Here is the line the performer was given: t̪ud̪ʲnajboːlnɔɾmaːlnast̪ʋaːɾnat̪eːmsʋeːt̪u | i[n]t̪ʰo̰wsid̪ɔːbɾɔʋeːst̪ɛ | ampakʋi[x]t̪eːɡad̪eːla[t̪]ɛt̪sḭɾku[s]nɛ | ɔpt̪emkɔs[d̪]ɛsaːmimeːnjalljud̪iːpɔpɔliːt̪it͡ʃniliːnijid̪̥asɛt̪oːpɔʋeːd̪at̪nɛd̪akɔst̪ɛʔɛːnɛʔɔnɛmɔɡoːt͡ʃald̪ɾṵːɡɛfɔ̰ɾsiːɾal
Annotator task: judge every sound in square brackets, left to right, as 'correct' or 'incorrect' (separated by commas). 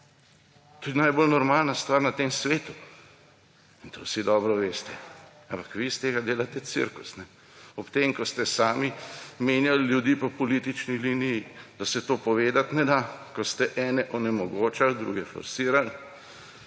correct, incorrect, correct, correct, incorrect